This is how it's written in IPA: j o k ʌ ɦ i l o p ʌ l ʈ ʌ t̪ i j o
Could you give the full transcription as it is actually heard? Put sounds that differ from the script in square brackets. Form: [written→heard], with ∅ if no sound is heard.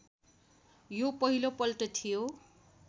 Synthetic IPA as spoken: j o [k→p] ʌ ɦ i l o p ʌ l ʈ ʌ [t̪→t̪ʰ] i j o